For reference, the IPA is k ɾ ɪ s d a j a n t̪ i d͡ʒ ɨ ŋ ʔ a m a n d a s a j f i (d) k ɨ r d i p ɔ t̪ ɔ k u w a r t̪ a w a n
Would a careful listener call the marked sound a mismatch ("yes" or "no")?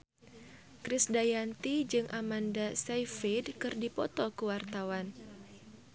no